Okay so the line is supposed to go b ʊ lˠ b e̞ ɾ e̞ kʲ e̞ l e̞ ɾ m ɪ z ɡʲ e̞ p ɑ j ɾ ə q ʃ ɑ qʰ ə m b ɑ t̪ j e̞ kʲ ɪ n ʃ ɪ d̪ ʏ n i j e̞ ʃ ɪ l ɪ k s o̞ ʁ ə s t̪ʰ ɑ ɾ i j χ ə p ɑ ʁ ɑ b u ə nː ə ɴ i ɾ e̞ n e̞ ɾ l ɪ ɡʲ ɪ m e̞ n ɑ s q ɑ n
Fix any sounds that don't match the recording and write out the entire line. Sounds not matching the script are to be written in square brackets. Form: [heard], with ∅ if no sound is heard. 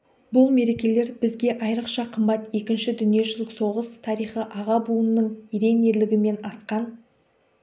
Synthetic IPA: b ʊ lˠ [m] e̞ ɾ e̞ kʲ e̞ l e̞ ɾ [b] ɪ z ɡʲ e̞ [ʔ] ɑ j ɾ ə q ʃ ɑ qʰ ə m b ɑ t̪ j e̞ kʲ ɪ n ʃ ɪ d̪ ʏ n i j e̞ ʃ ɪ l ɪ k s o̞ ʁ ə s t̪ʰ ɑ ɾ i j χ ə [ʔ] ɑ ʁ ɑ b u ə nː ə ɴ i ɾ e̞ n e̞ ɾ l ɪ ɡʲ ɪ m e̞ n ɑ s q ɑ n